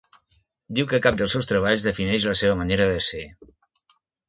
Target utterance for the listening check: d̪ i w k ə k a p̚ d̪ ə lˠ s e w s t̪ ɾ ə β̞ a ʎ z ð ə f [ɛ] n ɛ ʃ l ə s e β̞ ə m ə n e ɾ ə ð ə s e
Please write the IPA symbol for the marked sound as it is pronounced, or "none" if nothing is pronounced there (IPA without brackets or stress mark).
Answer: i